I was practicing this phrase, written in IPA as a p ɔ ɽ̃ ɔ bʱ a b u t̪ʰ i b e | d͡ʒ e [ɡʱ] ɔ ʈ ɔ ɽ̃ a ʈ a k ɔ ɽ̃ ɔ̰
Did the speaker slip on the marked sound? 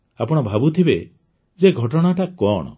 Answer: no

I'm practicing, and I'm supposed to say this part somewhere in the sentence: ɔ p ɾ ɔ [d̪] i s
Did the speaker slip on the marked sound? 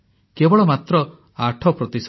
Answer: yes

